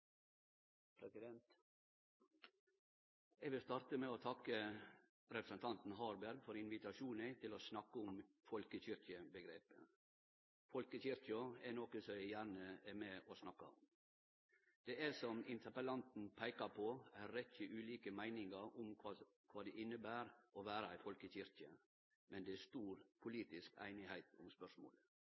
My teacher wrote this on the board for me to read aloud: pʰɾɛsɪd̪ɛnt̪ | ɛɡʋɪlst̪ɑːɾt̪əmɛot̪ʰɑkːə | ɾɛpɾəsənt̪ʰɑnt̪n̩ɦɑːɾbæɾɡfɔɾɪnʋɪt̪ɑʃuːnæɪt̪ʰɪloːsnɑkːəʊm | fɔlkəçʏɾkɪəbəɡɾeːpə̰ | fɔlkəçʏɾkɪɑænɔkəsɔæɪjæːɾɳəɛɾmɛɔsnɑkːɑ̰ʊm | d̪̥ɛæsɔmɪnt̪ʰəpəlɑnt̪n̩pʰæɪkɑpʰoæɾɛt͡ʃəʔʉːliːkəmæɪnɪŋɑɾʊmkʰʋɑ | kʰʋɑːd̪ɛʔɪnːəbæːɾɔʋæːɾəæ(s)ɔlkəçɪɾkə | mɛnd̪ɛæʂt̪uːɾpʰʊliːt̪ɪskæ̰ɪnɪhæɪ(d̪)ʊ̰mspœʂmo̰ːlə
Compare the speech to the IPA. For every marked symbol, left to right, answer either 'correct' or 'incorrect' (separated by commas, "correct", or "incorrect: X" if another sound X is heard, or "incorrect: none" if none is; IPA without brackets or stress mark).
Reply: incorrect: f, incorrect: t̪